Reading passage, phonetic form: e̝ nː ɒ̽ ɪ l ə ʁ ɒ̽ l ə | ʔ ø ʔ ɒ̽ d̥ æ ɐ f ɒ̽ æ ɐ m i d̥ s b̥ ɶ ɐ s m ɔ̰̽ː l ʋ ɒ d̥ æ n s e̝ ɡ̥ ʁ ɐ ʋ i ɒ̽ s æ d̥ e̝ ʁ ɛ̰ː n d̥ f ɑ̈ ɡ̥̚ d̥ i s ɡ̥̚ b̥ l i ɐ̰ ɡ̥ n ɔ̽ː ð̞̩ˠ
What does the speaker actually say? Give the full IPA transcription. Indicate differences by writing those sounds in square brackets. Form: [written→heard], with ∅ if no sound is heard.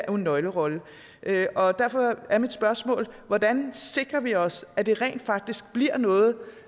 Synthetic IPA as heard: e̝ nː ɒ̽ ɪ l ə ʁ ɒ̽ l ə | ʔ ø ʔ ɒ̽ d̥ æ ɐ f ɒ̽ æ ɐ m i d̥ s b̥ ɶ ɐ s m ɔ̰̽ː l ʋ ɒ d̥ æ n s e̝ ɡ̥ ʁ ɐ ʋ i ɒ̽ s æ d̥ e̝ ʁ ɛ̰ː n d̥ f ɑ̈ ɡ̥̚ d̥ i s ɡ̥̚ b̥ l i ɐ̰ [ɡ̥→∅] n ɔ̽ː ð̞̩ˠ